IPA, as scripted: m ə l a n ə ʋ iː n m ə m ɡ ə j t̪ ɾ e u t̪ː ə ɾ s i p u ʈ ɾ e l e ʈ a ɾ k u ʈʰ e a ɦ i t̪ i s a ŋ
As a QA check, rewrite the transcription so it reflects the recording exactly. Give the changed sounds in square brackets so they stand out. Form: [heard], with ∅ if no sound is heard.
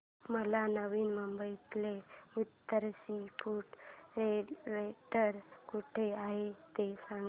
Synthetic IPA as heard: m ə l a n ə ʋ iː n m ə m [b] ə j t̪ [l] e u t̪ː ə ɾ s i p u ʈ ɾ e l e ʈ [ə] ɾ k u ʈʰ e a ɦ [e] t̪ [e] s a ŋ